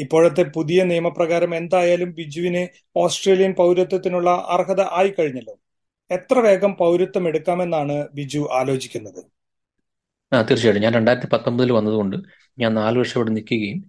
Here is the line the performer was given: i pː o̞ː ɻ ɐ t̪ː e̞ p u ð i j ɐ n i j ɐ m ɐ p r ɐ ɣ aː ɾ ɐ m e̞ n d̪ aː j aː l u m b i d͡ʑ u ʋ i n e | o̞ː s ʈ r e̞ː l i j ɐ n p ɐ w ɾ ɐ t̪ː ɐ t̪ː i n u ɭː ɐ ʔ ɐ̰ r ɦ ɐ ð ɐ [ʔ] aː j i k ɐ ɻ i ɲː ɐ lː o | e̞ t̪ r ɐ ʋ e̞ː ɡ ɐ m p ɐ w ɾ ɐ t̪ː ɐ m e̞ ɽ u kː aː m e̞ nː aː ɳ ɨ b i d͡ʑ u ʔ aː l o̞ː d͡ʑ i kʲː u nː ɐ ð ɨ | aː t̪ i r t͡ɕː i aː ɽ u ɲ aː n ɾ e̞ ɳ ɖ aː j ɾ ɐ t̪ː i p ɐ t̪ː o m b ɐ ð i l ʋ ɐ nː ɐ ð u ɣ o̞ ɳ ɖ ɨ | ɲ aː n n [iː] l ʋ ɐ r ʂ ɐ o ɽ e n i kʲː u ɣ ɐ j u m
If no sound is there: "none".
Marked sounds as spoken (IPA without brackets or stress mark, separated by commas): ʔ, aː